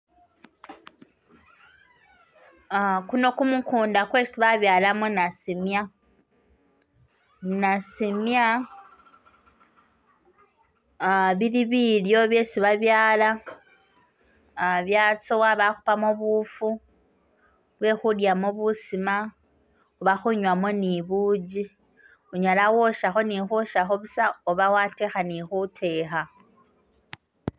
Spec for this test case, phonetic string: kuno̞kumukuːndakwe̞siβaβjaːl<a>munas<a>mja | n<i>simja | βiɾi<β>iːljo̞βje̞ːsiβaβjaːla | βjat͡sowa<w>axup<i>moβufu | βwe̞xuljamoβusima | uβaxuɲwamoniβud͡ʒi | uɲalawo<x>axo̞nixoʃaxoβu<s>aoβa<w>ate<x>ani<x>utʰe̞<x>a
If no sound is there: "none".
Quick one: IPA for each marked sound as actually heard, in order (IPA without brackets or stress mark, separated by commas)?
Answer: a, i, a, β, β, a, ʃ, s, w, x, x, x